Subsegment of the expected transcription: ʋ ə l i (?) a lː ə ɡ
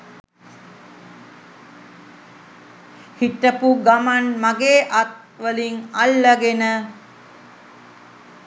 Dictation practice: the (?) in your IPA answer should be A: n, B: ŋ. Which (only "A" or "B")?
B